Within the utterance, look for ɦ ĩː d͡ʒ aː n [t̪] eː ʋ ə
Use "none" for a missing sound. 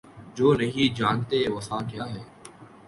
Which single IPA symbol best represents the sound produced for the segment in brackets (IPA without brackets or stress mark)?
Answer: t̪